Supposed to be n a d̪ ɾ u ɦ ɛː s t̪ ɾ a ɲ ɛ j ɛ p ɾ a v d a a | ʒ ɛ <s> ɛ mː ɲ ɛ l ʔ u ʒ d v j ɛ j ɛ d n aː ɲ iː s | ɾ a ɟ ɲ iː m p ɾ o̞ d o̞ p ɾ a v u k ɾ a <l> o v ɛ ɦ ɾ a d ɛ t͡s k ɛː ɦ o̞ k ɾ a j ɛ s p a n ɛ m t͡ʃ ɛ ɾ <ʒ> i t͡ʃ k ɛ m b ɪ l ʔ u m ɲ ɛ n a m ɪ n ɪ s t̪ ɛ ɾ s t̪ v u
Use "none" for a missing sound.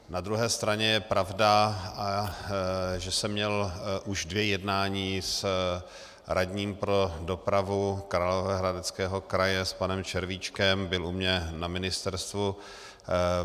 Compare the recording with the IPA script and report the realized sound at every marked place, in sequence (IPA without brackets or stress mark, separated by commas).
s, l, v